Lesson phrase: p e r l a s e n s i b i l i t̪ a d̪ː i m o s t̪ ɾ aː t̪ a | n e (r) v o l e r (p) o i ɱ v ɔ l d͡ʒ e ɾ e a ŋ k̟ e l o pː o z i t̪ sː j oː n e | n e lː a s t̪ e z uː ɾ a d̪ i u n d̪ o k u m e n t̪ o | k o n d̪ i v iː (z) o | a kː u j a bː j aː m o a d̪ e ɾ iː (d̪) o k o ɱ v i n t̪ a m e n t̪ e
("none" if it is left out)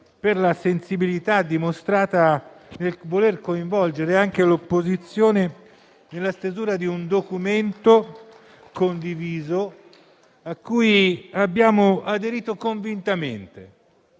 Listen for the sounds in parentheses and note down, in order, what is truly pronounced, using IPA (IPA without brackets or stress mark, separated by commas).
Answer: l, k, z, t̪